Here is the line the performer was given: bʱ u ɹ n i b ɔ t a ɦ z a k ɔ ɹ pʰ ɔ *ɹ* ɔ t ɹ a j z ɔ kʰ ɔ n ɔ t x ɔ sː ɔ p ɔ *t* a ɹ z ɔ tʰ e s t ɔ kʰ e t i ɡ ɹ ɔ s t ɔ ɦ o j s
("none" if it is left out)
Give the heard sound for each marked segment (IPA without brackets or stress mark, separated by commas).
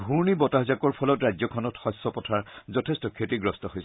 l, tʰ